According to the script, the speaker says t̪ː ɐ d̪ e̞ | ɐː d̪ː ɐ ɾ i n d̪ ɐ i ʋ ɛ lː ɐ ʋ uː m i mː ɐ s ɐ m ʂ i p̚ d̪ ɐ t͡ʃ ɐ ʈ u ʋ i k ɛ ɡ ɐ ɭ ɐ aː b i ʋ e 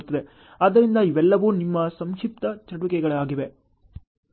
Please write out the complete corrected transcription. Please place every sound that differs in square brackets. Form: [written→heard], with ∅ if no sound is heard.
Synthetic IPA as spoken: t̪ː ɐ d̪ e̞ | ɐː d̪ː ɐ ɾ i n d̪ ɐ i ʋ ɛ lː ɐ ʋ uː [m→n] i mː ɐ s ɐ m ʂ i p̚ [d̪→t̪] ɐ t͡ʃ ɐ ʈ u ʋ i k ɛ ɡ ɐ ɭ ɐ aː [b→ɡ] i ʋ e

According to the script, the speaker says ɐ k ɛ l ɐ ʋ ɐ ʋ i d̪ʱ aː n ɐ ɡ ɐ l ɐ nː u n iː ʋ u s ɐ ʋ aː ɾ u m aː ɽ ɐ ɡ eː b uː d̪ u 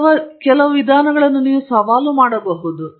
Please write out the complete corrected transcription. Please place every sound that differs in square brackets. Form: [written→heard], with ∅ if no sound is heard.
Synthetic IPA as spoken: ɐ k ɛ l ɐ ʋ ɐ ʋ i d̪ʱ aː n ɐ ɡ ɐ [l→ɭ] ɐ nː u n iː ʋ u s ɐ ʋ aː [ɾ→l] u m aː ɽ ɐ [ɡ→b] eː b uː d̪ u

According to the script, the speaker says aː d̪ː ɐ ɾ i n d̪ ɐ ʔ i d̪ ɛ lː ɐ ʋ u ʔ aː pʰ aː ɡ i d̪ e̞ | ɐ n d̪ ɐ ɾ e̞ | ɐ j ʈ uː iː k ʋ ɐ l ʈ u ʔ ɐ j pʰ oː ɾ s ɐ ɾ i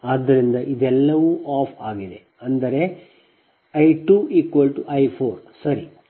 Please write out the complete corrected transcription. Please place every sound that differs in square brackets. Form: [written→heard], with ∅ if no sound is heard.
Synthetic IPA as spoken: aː d̪ː ɐ ɾ i n d̪ ɐ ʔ i d̪ ɛ lː ɐ ʋ u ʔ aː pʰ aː ɡ i d̪ e̞ | ɐ n d̪ ɐ ɾ e̞ | ɐ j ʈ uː iː k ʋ ɐ l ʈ u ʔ ɐ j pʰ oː ɾ s ɐ ɾ i

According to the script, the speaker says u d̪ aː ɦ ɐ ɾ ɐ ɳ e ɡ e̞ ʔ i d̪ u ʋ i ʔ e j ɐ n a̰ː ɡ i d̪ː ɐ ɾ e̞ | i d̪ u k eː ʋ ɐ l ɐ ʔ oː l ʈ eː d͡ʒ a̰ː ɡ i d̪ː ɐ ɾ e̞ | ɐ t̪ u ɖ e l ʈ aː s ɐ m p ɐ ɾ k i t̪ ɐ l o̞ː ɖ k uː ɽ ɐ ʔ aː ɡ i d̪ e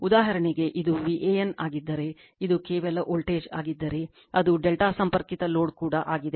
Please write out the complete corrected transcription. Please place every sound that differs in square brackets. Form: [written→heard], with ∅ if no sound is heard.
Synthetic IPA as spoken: u d̪ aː ɦ ɐ ɾ ɐ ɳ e ɡ e̞ ʔ i d̪ u ʋ i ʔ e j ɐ n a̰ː ɡ i d̪ː ɐ ɾ e̞ | i d̪ u k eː ʋ ɐ l ɐ ʔ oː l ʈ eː d͡ʒ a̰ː ɡ i d̪ː ɐ ɾ e̞ | ɐ [t̪→d̪] u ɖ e l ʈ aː s ɐ m p ɐ ɾ k i t̪ ɐ l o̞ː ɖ k uː ɽ ɐ ʔ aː ɡ i d̪ e

